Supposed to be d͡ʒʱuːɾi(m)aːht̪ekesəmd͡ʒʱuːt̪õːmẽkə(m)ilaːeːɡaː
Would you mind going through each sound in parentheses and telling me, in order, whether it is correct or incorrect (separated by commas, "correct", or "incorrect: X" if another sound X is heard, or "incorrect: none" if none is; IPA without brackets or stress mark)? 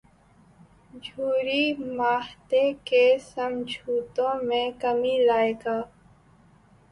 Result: correct, correct